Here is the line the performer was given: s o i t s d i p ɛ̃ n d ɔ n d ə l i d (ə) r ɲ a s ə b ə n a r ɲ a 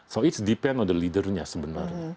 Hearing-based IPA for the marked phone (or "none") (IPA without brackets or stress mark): ə